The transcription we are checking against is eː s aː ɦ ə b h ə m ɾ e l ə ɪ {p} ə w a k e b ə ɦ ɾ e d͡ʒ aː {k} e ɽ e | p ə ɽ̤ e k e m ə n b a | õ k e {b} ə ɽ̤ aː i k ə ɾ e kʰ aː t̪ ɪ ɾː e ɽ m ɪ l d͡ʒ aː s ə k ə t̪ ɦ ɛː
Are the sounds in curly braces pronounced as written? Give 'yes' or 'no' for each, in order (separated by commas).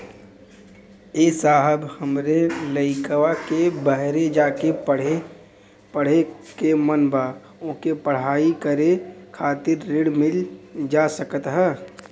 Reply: no, yes, no